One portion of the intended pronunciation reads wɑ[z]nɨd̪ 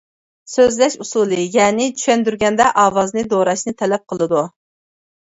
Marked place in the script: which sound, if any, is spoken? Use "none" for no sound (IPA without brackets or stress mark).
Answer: z